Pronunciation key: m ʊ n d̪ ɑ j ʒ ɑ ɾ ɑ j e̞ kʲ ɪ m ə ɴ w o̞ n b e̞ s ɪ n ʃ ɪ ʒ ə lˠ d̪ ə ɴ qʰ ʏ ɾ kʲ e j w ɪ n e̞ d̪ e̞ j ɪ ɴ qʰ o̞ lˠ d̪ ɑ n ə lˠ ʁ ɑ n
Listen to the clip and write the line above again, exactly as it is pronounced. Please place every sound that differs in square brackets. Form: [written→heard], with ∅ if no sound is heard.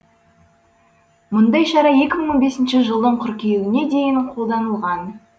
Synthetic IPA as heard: m ʊ n d̪ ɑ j [ʒ→ʃ] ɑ ɾ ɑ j e̞ kʲ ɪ m ə ɴ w o̞ n b e̞ s ɪ n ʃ ɪ ʒ ə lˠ d̪ ə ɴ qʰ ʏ ɾ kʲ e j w ɪ n e̞ d̪ e̞ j ɪ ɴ qʰ o̞ lˠ d̪ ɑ n ə lˠ ʁ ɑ n